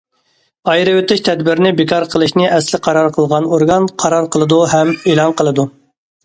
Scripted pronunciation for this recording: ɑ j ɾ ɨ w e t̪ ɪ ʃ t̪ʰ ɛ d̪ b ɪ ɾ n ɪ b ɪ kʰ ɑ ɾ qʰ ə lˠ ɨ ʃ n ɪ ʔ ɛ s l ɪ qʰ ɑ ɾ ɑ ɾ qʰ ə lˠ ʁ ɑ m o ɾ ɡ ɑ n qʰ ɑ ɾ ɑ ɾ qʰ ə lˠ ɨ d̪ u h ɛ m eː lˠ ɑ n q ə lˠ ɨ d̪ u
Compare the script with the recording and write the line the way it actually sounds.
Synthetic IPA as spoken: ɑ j ɾ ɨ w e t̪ ɪ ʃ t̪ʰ ɛ d̪ b ɪ ɾ n ɪ b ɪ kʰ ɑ ɾ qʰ ə lˠ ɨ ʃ n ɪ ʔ ɛ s l ɪ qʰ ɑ ɾ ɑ ɾ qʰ ə lˠ ʁ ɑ n o ɾ ɡ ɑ n qʰ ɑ ɾ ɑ ɾ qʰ ə lˠ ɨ d̪ u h ɛ m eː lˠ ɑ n q ə lˠ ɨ d̪ u